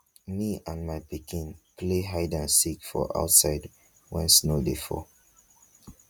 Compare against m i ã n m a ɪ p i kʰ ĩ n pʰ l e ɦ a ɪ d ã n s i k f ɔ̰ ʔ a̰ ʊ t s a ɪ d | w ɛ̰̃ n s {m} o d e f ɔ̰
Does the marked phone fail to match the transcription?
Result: yes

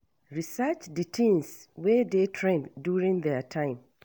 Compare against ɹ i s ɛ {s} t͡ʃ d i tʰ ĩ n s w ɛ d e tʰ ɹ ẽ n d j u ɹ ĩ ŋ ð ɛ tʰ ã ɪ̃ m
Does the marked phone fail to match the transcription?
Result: yes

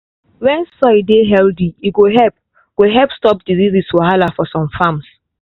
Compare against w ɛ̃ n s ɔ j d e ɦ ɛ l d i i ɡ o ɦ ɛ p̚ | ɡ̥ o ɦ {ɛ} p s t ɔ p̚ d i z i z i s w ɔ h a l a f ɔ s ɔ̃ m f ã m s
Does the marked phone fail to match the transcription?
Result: no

